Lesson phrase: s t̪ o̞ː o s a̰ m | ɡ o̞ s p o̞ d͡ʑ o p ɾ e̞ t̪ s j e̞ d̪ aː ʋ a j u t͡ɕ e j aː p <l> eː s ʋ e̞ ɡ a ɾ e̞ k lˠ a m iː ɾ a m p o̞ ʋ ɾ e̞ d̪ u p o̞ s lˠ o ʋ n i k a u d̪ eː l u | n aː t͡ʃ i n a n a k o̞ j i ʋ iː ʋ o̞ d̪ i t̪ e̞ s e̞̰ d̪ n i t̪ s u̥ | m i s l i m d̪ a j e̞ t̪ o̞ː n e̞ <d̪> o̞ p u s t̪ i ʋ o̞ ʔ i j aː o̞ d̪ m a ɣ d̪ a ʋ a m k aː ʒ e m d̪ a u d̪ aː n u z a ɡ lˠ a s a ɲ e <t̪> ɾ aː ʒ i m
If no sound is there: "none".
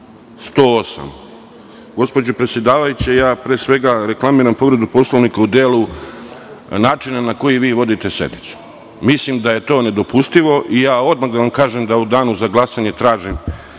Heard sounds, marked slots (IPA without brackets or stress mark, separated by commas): ɾ, d̪, t̪